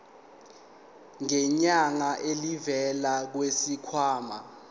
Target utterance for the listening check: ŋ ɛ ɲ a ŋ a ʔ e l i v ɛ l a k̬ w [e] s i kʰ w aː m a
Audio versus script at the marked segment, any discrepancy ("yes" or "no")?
no